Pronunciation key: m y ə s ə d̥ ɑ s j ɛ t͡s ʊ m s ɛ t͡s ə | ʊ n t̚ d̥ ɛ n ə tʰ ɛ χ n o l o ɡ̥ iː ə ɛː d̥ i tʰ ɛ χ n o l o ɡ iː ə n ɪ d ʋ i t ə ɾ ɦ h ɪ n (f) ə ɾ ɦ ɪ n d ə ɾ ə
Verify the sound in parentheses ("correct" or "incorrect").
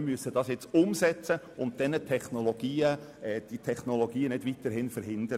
correct